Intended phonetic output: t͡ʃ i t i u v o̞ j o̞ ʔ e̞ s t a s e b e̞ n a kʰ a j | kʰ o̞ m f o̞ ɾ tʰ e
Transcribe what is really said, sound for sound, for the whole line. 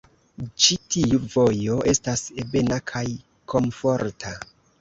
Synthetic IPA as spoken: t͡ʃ i t i u v o̞ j o̞ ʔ e̞ s t a s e b e̞ n a kʰ a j | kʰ o̞ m f o̞ ɾ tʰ a

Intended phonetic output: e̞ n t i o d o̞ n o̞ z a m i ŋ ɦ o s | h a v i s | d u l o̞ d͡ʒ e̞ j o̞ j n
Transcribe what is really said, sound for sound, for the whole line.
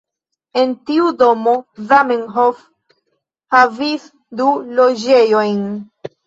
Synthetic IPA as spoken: e̞ n t i u d o̞ m o̞ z a m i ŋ ɦ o f | h a v i s | d u l o̞ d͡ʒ e̞ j o̞ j n

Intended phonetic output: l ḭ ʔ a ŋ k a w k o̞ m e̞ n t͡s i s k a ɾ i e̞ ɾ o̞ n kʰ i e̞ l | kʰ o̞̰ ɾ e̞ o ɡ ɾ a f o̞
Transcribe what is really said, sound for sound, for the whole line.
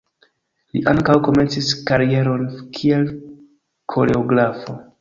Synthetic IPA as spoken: l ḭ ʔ a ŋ k a w k o̞ m e̞ n t͡s i s k a ɾ i e̞ ɾ o̞ n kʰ i e̞ l | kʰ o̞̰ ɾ e̞ o ɡ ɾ a f o̞

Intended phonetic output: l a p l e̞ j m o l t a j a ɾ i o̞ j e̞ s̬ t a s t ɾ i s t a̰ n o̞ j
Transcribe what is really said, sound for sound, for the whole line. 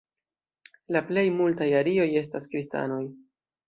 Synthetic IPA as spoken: l a p l e̞ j m u l t a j a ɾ i o̞ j e̞ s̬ t a s k ɾ i s t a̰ n o̞ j

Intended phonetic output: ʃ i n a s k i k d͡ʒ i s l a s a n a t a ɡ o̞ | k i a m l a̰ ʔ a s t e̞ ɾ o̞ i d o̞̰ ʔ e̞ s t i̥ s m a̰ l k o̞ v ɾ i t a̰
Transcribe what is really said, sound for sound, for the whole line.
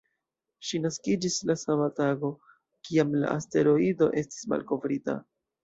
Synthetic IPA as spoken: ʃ i n a s k i d͡ʒ i s l a s a m a t a ɡ o̞ | k i a m l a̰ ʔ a s t e̞ ɾ o̞ i d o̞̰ ʔ e̞ s t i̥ s m a̰ l k o̞ v ɾ i t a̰

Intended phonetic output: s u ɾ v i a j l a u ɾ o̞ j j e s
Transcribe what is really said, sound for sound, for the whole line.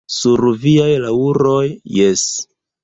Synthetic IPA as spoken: s u ɾ v i a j l a u ɾ o̞ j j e s

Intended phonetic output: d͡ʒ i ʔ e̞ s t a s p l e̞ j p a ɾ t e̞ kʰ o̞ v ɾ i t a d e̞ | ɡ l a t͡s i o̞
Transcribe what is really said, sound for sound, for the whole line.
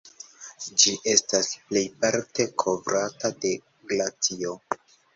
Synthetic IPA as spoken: d͡ʒ i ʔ e̞ s t a s p l e̞ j p a ɾ t e̞ kʰ o̞ v ɾ a t a d e̞ | ɡ l a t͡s i o̞

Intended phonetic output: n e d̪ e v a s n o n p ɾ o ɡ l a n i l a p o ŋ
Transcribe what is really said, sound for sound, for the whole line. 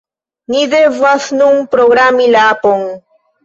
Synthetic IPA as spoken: n i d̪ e v a s n u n p ɾ o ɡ ɾ a m i l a p o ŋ

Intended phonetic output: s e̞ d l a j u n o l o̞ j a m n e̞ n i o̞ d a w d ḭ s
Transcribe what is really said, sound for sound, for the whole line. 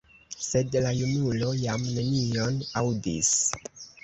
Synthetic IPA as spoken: s e̞ d l a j u n u l o̞ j a m n e̞ n i o̞ n a w d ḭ s

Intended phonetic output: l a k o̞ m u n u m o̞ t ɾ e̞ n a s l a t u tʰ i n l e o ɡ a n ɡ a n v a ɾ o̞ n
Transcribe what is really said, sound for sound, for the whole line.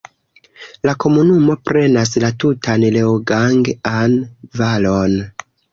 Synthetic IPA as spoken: l a k o̞ m u n u m o̞ p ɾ e̞ n a s l a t u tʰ a n l e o ɡ a ŋ ɡ a n v a l o̞ n

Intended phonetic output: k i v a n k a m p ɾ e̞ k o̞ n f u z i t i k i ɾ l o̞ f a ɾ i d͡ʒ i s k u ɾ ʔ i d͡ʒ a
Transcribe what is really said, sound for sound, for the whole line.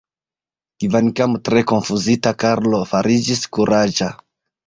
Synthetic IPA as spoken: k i v a n k a m t ɾ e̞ k o̞ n f u z i t a k a ɾ l o̞ f a ɾ i d͡ʒ i s k u ɾ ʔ a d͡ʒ a

